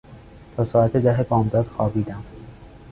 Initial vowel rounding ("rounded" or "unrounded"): rounded